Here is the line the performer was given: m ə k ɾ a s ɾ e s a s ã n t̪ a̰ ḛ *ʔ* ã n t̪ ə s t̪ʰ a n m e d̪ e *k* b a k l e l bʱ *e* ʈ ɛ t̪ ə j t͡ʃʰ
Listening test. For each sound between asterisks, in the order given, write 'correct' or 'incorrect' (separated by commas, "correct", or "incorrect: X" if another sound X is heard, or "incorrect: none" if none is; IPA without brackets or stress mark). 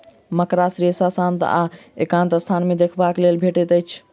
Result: incorrect: k, incorrect: kʰ, correct